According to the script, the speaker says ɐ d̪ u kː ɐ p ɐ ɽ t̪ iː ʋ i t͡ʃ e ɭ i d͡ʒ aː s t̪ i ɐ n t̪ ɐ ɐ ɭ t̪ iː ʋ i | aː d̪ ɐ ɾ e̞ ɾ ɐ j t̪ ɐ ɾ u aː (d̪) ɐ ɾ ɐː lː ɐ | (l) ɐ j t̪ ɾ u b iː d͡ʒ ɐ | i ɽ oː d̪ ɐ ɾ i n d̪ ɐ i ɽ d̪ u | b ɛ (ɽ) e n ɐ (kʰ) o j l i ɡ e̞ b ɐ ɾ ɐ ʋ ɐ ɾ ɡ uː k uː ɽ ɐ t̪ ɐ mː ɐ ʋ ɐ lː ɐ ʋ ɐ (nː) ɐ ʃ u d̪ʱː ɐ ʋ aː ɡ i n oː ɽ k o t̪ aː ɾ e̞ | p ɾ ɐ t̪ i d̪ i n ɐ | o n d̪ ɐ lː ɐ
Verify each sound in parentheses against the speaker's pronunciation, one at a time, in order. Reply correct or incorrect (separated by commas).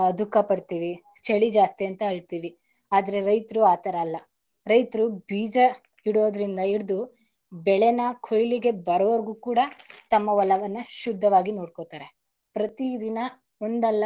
incorrect, incorrect, incorrect, correct, correct